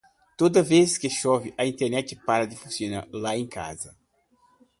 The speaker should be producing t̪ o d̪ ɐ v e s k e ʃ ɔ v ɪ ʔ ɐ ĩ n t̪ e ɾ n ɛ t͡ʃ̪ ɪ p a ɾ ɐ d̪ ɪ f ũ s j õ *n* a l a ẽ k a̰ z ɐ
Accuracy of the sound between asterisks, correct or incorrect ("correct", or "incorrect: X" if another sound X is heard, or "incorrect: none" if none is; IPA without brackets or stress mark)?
correct